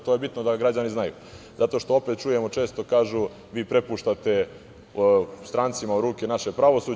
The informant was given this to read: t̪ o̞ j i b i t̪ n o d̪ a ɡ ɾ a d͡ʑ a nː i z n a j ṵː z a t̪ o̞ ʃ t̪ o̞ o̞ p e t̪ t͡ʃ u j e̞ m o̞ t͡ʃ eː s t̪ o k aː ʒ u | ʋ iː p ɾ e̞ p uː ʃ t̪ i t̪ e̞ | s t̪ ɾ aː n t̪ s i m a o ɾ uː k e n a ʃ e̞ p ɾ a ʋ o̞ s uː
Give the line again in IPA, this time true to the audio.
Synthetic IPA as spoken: t̪ o̞ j e b i t̪ n o d̪ a ɡ ɾ a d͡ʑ a n i z n a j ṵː z a t̪ o̞ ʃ t̪ o̞ o̞ p e t̪ t͡ʃ u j e̞ m o̞ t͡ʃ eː s t̪ o k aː ʒ u | ʋ iː p ɾ e̞ p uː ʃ t̪ a t̪ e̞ | s t̪ ɾ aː n t̪ s i m a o ɾ uː k e n a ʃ e̞ p ɾ a ʋ o̞ s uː